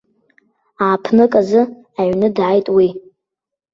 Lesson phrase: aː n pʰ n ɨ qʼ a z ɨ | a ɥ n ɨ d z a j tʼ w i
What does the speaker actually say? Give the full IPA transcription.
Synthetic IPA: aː pʰ n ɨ kʼ a z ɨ | a ɥ n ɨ d ʕ a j tʼ w i